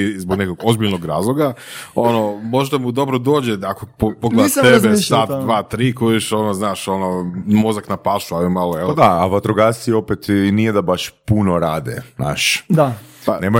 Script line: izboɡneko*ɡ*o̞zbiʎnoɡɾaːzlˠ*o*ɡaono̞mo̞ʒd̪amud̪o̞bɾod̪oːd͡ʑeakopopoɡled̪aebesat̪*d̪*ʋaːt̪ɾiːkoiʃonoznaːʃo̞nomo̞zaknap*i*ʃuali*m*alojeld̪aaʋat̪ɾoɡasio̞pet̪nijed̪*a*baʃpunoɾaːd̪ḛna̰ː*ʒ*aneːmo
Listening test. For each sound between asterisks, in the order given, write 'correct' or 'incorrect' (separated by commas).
correct, correct, correct, incorrect, correct, correct, incorrect